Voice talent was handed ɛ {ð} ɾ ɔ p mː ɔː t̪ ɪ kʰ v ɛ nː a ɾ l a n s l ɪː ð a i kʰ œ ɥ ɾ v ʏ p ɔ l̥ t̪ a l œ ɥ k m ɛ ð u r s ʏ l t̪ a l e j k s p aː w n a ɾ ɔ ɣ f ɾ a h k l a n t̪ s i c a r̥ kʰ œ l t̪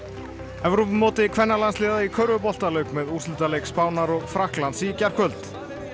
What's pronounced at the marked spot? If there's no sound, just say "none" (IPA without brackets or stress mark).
v